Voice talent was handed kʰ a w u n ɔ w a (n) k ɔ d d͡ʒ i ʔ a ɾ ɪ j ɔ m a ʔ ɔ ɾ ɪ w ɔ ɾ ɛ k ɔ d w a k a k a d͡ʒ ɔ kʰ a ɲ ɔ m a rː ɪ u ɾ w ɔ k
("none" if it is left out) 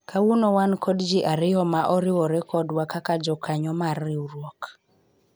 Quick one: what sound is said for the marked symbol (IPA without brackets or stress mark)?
n